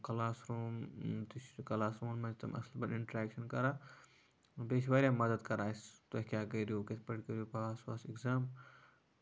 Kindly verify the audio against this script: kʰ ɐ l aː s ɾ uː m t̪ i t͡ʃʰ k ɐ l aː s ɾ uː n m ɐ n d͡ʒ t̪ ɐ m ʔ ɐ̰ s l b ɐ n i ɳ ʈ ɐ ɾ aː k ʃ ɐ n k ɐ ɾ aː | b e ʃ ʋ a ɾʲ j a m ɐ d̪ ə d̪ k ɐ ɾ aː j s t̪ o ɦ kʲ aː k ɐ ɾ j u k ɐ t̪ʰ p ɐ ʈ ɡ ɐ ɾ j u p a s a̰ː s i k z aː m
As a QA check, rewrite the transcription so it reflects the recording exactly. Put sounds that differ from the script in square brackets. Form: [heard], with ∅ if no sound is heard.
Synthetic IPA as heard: [k] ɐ l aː s ɾ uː m t̪ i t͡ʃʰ k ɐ l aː s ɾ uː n m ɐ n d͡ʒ t̪ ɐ m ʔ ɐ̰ s l b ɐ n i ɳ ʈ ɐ ɾ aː k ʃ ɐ n k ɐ ɾ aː | b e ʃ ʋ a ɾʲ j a m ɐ d̪ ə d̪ k ɐ ɾ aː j s t̪ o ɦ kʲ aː k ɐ ɾ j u k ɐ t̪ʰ p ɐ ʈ [k] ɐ ɾ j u p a s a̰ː s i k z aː m